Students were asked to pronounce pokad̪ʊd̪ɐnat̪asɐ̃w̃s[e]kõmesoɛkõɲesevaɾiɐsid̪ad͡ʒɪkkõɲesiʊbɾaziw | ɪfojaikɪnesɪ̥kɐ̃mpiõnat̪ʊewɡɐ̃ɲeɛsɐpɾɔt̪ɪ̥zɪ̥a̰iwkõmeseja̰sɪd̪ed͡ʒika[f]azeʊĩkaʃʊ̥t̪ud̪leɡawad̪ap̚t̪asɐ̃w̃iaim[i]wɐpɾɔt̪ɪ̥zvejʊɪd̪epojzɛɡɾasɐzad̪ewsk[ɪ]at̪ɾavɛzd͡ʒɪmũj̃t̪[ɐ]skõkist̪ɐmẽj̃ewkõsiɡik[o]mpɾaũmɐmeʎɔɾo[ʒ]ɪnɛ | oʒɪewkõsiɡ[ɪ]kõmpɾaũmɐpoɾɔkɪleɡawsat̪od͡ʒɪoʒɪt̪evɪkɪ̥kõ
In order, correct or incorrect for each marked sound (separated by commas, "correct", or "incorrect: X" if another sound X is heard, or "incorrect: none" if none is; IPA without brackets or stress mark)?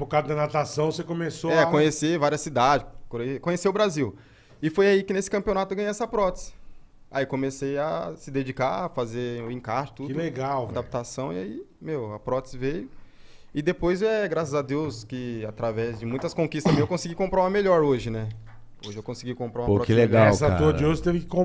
correct, correct, incorrect: e, correct, correct, incorrect: õ, correct, incorrect: i